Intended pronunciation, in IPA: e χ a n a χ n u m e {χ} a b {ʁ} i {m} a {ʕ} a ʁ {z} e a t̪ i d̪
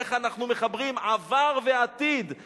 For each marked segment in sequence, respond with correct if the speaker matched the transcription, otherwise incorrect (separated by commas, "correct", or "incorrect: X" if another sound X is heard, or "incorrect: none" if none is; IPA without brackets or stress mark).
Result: correct, correct, correct, incorrect: v, incorrect: v